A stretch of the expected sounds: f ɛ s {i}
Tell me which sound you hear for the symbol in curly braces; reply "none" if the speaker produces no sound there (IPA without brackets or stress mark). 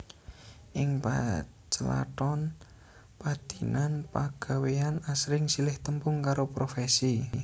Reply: i